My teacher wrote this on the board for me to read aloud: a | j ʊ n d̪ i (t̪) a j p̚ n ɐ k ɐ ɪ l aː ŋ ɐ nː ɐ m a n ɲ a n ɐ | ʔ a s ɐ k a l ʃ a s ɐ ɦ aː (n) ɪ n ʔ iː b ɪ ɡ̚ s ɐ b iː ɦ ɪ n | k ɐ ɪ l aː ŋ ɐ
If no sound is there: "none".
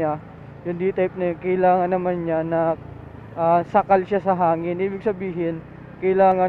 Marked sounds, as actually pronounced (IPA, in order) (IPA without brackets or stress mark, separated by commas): t̪, ŋ